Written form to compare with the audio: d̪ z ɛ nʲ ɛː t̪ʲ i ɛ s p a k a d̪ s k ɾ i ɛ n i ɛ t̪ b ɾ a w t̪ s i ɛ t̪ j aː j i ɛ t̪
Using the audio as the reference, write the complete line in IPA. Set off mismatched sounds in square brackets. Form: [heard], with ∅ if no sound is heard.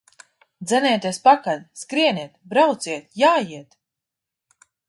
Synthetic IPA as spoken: d̪ z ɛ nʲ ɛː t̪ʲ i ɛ s p a k a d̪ s k ɾ i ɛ n i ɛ t̪ b ɾ a w t̪ s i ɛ t̪ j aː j i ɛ t̪